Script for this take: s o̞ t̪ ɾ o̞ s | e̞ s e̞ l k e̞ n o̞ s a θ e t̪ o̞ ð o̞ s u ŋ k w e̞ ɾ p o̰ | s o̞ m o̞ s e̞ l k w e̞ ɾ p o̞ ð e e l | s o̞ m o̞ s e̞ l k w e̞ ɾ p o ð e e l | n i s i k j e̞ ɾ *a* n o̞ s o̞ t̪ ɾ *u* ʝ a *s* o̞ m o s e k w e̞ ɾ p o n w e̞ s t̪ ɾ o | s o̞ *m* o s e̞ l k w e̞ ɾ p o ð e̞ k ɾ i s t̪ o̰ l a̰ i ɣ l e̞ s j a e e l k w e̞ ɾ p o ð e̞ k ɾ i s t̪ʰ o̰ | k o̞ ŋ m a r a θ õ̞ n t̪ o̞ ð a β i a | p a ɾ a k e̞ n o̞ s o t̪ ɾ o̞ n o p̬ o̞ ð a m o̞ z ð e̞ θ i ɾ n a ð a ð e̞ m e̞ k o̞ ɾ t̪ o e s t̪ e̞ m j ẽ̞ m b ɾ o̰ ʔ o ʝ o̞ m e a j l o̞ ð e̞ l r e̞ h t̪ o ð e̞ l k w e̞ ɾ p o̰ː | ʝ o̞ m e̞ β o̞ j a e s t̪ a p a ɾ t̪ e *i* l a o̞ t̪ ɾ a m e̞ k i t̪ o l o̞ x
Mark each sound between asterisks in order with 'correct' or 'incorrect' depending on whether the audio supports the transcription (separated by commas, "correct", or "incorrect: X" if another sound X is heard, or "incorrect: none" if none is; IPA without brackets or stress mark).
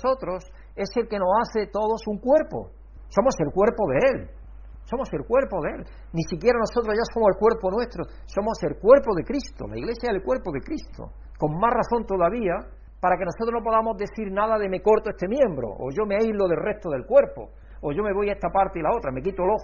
correct, incorrect: o, correct, correct, correct